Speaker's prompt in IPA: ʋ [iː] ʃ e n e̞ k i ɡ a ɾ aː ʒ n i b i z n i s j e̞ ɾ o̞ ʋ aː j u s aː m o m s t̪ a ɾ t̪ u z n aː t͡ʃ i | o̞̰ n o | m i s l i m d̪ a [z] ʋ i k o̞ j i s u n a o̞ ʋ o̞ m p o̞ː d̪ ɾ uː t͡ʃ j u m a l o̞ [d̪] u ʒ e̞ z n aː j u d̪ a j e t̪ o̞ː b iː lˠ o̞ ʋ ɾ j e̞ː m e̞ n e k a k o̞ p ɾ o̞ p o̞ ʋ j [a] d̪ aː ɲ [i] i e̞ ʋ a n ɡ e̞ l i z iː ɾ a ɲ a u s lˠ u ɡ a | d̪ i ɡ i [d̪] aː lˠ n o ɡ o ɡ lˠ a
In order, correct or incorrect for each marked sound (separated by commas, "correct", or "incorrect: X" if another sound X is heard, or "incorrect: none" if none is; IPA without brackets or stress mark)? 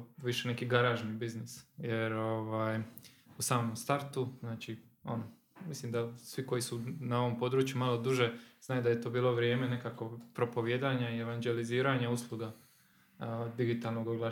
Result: incorrect: i, incorrect: s, correct, incorrect: e, incorrect: a, incorrect: t̪